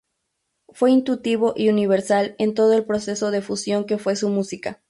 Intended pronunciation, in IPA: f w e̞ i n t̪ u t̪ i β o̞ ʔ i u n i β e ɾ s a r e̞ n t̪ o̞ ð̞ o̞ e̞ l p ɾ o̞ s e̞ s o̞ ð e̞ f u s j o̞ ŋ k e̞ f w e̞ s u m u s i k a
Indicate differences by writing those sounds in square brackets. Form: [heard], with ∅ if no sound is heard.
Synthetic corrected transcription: f w e̞ i n t̪ u t̪ i β o̞ ʔ i u n i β e ɾ s a [l] e̞ n t̪ o̞ ð̞ o̞ e̞ l p ɾ o̞ s e̞ s o̞ ð e̞ f u s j o̞ ŋ k e̞ f w e̞ s u m u s i k a